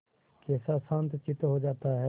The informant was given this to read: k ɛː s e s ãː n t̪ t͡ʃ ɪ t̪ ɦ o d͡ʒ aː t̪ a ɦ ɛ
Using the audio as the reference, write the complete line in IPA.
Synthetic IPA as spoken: k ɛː s a s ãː n t̪ t͡ʃ ɪ t̪ ɦ o d͡ʒ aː t̪ a ɦ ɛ